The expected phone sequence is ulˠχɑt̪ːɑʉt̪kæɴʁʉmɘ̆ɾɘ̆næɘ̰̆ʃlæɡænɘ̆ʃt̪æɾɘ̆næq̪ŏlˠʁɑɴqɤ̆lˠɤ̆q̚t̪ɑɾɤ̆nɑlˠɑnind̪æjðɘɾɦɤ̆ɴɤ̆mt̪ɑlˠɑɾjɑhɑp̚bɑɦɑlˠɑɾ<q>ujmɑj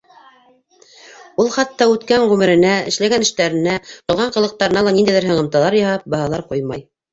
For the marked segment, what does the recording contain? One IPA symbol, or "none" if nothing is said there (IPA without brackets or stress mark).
q